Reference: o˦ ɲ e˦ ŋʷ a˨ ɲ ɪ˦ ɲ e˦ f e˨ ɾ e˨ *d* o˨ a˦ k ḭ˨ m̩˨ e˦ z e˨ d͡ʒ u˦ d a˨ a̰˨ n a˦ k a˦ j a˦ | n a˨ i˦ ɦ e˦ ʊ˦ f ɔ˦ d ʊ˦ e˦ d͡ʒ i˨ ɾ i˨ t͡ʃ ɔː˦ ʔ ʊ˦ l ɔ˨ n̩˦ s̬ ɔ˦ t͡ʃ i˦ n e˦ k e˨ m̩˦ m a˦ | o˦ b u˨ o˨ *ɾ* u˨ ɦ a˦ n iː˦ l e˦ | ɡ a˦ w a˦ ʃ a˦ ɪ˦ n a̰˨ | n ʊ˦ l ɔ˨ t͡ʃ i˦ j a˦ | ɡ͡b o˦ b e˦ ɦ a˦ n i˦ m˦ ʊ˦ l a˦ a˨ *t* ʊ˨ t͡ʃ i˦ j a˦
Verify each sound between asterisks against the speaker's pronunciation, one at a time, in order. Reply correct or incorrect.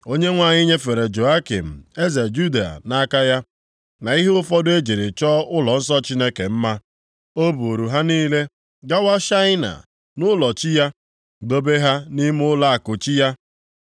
incorrect, correct, incorrect

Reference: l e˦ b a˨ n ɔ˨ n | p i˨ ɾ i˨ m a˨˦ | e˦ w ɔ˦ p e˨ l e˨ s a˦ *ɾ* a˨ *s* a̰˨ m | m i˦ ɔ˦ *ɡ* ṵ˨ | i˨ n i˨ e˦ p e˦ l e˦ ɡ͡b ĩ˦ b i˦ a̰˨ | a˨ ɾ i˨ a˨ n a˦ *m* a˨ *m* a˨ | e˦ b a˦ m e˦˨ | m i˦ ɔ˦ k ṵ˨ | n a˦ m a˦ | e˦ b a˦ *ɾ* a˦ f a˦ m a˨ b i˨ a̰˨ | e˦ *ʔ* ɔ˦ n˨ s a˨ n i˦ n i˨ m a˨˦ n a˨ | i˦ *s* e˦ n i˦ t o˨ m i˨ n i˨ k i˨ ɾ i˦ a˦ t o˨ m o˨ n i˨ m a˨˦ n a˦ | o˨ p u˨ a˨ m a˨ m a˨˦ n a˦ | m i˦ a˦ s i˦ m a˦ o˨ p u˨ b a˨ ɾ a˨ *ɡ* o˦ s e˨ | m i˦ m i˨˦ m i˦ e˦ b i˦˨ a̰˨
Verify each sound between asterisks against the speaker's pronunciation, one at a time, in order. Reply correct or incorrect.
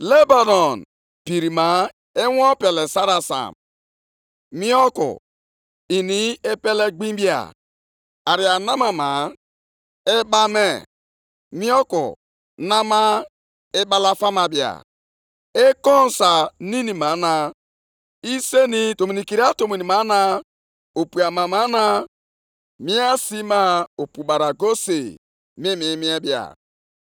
correct, correct, incorrect, correct, correct, incorrect, incorrect, correct, correct

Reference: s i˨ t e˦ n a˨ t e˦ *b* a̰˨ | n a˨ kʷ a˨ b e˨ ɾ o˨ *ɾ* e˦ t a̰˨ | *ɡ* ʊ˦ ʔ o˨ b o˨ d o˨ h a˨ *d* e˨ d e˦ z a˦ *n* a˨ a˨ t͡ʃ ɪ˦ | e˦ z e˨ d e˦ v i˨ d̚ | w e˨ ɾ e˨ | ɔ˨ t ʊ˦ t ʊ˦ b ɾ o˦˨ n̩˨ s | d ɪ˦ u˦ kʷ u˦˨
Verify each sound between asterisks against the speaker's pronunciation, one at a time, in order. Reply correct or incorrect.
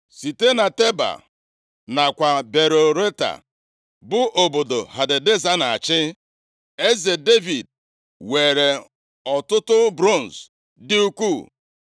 correct, correct, incorrect, correct, correct

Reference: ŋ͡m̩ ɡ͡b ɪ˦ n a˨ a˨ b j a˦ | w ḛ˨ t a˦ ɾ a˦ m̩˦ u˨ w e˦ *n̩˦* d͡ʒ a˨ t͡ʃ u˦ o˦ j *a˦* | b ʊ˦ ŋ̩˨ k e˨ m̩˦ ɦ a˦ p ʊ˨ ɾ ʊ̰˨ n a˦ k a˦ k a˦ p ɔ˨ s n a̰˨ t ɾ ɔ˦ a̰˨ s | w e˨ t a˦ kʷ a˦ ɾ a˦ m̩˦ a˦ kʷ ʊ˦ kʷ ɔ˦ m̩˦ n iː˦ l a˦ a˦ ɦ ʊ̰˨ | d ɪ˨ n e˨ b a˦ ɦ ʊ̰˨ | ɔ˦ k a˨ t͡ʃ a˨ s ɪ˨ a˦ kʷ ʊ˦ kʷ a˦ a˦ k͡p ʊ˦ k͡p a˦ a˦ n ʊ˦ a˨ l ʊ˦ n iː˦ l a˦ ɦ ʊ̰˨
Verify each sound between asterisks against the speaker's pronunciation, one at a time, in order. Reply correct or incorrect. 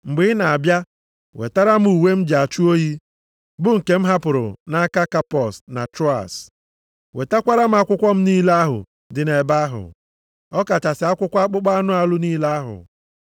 incorrect, incorrect

